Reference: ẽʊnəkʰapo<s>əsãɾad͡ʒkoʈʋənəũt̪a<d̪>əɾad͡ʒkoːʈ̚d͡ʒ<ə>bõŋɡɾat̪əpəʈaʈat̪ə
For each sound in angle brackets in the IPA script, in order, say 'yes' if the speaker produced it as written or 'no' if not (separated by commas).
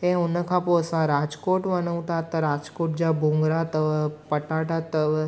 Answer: no, no, no